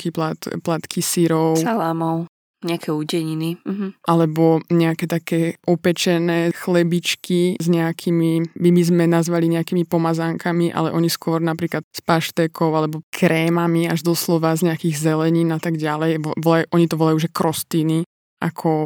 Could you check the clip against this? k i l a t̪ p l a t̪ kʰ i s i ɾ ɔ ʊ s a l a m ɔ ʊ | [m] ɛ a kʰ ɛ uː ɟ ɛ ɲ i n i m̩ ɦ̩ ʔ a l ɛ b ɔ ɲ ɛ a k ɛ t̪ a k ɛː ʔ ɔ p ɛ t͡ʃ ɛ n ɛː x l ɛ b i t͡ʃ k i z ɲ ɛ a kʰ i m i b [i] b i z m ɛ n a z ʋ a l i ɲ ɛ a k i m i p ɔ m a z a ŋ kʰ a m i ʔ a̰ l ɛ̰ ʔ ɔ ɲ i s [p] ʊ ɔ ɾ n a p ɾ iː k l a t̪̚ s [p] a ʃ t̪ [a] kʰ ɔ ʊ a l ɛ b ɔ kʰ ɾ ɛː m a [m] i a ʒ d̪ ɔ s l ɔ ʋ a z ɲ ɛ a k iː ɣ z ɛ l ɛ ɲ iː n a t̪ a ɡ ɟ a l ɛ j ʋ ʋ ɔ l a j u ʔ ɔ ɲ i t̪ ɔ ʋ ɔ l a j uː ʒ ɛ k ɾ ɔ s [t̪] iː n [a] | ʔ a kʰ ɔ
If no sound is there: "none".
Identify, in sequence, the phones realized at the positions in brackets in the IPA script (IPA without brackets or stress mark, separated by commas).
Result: ɲ, i, k, p, ɛ, m, t̪, i